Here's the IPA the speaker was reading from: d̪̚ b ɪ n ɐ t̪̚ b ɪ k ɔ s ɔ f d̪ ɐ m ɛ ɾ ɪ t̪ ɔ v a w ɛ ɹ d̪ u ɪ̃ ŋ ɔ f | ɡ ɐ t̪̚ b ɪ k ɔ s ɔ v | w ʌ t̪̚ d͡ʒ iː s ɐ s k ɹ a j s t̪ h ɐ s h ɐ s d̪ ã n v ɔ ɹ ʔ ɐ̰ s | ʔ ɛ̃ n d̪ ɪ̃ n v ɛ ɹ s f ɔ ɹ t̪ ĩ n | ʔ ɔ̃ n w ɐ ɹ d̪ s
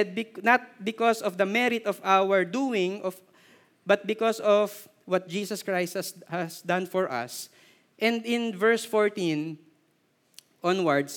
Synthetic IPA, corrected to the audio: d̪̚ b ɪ n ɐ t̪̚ b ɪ k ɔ s ɔ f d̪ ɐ m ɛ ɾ ɪ t̪ ɔ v a w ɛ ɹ d̪ u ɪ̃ ŋ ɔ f | b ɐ t̪̚ b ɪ k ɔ s ɔ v | w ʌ t̪̚ d͡ʒ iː s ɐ s k ɹ a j s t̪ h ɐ s h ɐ s d̪ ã n f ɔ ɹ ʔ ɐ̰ s | ʔ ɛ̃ n d̪ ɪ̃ n v ɛ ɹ s f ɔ ɹ t̪ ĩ n | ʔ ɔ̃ n w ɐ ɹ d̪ s